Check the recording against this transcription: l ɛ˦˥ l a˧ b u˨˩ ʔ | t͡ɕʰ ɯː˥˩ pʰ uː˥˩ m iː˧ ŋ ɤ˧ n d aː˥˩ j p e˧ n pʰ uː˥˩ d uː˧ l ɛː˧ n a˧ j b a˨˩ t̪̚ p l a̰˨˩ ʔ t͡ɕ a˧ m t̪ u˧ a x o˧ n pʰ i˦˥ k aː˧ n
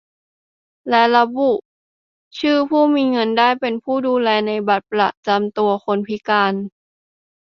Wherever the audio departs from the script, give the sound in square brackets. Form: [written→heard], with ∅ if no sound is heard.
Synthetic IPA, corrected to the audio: l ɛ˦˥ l a˧ b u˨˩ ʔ | t͡ɕʰ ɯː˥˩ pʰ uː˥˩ m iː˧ ŋ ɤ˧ n d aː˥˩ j p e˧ n pʰ uː˥˩ d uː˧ l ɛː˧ n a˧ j b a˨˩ t̪̚ p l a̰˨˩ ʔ t͡ɕ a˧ m t̪ u˧ [a→ɐ] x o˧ n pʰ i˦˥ k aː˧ n

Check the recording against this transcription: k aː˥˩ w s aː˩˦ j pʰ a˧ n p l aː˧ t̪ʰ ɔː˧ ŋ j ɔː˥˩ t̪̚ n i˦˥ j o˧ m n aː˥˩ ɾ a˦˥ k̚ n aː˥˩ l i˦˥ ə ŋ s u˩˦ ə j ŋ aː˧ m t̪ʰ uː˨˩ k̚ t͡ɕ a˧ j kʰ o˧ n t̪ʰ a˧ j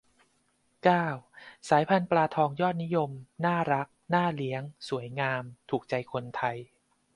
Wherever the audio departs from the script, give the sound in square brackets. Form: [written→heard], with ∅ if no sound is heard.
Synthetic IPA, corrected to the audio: k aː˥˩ w s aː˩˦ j pʰ a˧ n p l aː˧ t̪ʰ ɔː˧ ŋ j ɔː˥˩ t̪̚ n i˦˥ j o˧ m n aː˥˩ ɾ a˦˥ k̚ n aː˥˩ l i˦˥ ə ŋ s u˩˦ ə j ŋ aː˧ m t̪ʰ uː˨˩ k̚ t͡ɕ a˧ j kʰ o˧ n t̪ʰ a˧ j

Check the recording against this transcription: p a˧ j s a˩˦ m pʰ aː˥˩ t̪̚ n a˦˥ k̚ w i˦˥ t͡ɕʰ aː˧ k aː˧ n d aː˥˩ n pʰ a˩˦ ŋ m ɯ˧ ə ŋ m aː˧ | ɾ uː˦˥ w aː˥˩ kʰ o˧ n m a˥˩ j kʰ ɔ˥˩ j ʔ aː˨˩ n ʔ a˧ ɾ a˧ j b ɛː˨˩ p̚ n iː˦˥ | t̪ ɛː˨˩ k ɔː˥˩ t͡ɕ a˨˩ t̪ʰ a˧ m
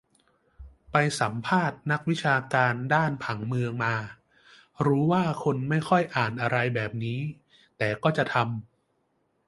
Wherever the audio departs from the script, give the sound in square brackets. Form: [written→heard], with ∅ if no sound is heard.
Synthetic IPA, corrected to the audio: p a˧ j s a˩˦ m pʰ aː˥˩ t̪̚ n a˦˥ k̚ w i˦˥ t͡ɕʰ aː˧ k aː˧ n d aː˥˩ n pʰ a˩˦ ŋ m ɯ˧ ə ŋ m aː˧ | ɾ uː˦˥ w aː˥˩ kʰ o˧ n m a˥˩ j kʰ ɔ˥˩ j ʔ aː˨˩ n ʔ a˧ ɾ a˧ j b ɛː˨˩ p̚ n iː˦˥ | t̪ ɛː˨˩ k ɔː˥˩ t͡ɕ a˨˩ t̪ʰ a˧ m

